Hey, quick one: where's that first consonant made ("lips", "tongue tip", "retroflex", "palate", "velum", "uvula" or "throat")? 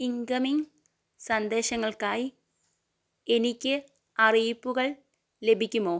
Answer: velum